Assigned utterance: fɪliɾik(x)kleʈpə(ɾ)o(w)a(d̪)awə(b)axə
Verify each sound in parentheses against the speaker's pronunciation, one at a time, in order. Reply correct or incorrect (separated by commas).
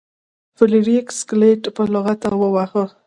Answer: incorrect, incorrect, incorrect, incorrect, incorrect